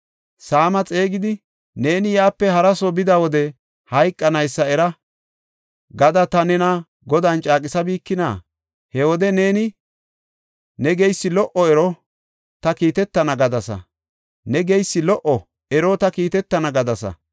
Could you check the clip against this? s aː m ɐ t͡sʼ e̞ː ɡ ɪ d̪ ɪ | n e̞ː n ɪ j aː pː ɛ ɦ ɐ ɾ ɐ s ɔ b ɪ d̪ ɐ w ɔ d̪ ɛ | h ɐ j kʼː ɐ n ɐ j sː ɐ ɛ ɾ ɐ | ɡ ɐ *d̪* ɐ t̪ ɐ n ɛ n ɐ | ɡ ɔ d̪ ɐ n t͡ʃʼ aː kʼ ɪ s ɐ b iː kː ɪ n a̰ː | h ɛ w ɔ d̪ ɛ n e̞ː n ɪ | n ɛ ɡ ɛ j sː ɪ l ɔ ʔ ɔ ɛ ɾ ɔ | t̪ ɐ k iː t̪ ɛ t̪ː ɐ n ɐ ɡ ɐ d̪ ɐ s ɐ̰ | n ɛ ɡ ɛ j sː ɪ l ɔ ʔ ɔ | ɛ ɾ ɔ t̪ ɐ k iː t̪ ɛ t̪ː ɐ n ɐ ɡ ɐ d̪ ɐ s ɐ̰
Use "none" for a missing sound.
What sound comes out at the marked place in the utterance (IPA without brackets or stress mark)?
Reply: d̪